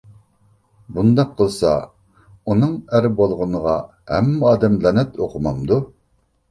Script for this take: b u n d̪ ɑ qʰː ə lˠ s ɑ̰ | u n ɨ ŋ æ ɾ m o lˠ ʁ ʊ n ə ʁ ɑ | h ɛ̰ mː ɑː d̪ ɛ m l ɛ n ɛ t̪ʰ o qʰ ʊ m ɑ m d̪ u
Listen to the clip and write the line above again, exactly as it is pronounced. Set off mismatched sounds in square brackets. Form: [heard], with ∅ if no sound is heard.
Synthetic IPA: b u n d̪ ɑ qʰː ə lˠ s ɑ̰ | u n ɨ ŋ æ ɾ [b] o lˠ ʁ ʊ n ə ʁ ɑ | h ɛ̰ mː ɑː d̪ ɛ m l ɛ n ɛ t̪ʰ o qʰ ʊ m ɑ m d̪ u